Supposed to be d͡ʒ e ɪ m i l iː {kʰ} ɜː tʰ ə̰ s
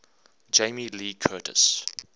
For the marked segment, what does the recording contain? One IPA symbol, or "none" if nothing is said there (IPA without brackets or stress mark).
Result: kʰ